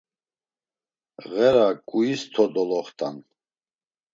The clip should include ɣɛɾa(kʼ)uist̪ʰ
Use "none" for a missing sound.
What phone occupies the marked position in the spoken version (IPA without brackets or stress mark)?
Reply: kʼ